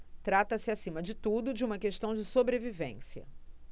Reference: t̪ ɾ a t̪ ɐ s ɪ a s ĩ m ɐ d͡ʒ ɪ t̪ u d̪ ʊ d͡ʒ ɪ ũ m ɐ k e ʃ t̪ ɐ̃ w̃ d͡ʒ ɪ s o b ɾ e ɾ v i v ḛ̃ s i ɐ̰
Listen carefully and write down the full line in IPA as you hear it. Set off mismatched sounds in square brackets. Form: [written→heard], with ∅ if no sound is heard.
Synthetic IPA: t̪ ɾ a t̪ ɐ s ɪ a s ĩ m ɐ d͡ʒ ɪ t̪ u d̪ ʊ d͡ʒ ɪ ũ m ɐ k e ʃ t̪ ɐ̃ w̃ d͡ʒ ɪ s o b ɾ e [ɾ→∅] v i v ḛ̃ s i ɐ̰